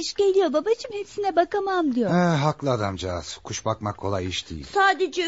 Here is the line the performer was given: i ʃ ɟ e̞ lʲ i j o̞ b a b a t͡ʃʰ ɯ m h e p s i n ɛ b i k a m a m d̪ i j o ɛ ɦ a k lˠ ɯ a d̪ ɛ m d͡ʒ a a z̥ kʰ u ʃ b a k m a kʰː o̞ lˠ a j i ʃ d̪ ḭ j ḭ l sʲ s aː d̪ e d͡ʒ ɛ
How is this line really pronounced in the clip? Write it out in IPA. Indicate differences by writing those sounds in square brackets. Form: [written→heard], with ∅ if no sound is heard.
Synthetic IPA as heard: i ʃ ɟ e̞ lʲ i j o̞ b a b a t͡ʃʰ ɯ m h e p s i n ɛ b [i→a] k a m a m d̪ i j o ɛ ɦ a k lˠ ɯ a d̪ [ɛ→a] m d͡ʒ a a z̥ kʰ u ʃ b a k m a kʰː o̞ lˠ a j i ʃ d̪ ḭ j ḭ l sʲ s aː d̪ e d͡ʒ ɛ